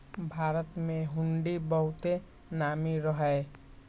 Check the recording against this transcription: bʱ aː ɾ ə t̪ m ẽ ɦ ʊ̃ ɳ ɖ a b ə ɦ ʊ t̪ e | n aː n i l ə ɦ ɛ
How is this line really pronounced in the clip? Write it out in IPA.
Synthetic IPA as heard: bʱ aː ɾ ə t̪ m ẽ ɦ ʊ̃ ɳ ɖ i b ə ɦ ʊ t̪ e | n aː m i ɾ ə ɦ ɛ